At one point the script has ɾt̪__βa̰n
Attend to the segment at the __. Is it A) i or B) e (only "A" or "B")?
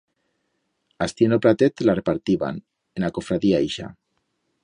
A